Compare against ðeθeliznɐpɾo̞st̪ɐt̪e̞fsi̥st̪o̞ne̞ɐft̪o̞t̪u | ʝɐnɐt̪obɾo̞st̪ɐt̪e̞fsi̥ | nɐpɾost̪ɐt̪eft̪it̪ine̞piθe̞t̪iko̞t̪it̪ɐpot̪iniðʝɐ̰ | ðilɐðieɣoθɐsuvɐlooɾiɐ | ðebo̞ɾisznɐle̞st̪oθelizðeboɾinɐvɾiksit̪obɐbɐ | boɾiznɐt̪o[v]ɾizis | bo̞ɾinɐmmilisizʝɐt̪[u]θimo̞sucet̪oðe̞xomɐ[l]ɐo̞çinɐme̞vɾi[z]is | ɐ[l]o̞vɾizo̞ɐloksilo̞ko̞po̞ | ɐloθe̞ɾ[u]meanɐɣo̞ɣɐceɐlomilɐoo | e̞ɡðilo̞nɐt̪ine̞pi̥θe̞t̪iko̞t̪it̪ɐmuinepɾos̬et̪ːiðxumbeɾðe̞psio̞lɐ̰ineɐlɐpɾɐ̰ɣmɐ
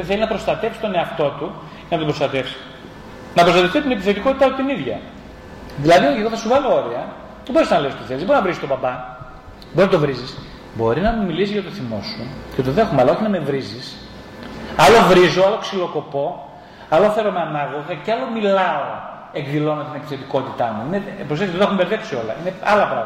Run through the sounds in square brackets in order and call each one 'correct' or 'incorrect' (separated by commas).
correct, incorrect, correct, correct, correct, incorrect